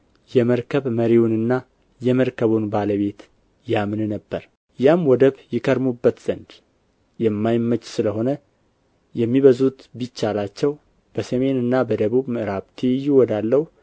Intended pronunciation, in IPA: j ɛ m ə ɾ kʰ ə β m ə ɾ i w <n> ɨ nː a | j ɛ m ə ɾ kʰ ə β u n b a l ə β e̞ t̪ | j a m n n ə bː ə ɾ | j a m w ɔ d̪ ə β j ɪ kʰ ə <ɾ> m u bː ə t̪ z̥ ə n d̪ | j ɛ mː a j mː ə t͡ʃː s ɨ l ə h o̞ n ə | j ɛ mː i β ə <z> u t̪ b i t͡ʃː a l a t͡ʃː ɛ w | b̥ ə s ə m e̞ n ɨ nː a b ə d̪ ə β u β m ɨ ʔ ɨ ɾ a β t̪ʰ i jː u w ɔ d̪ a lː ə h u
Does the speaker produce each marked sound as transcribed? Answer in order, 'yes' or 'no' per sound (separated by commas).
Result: yes, yes, yes